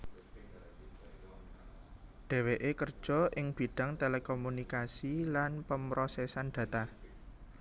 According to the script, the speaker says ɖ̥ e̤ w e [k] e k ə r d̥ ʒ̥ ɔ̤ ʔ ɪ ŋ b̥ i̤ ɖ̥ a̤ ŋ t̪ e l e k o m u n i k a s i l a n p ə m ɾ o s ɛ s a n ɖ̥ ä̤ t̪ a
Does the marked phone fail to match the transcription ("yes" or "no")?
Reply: yes